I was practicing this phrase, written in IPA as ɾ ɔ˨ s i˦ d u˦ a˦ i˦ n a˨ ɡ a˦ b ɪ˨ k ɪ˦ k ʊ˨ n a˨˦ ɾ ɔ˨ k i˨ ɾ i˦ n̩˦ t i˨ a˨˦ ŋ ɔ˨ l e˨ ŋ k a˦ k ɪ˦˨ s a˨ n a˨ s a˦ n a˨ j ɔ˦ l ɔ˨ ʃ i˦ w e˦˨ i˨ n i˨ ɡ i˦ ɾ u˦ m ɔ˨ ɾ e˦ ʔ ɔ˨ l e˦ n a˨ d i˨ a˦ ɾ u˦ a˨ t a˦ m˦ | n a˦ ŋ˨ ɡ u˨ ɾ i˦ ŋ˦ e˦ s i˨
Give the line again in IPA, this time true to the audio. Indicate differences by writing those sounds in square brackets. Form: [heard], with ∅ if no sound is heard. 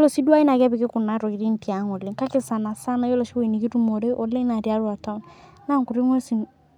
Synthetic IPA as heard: [l] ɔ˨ s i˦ d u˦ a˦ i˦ n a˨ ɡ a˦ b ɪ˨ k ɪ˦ k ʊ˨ n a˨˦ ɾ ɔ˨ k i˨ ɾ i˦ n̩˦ t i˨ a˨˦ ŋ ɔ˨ l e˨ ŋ k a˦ k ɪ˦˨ s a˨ n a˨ s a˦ n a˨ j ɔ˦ l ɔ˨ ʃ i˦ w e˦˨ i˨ n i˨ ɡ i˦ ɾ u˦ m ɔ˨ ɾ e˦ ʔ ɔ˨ l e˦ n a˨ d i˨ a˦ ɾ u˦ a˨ t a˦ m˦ | n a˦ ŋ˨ [k] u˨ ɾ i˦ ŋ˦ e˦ s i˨